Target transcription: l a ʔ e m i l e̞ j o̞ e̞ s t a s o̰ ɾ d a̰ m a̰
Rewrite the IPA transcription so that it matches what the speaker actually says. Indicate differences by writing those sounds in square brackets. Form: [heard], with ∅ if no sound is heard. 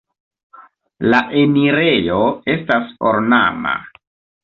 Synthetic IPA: l a ʔ e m i [ɾ] e̞ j o̞ e̞ s t a s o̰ ɾ [n] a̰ m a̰